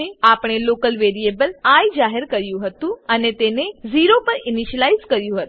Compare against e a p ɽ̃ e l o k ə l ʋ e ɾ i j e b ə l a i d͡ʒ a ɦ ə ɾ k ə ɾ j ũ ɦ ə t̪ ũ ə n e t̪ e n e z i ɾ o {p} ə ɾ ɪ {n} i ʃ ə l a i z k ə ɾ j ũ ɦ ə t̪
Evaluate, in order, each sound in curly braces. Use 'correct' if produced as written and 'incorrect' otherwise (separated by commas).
correct, correct